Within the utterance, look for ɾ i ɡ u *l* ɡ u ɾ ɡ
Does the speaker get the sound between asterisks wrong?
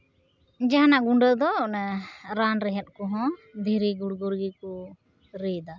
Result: yes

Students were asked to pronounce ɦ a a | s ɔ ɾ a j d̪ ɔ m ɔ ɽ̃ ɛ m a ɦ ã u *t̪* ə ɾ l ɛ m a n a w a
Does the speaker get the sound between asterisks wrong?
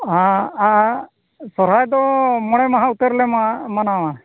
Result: no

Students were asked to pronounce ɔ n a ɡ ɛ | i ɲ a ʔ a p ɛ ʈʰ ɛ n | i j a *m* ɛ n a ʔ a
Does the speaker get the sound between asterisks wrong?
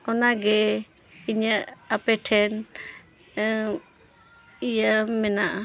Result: no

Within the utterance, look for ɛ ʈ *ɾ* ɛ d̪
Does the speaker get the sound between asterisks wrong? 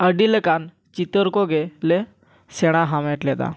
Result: yes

